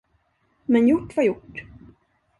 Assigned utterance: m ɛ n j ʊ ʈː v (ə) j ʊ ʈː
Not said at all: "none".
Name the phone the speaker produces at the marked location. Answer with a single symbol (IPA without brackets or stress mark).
a